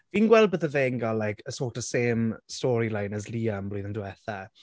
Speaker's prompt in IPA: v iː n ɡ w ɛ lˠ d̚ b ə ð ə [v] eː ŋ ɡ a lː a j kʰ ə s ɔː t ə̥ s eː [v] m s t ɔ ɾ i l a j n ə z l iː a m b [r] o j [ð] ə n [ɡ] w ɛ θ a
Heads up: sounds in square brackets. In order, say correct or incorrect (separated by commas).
correct, incorrect, incorrect, correct, incorrect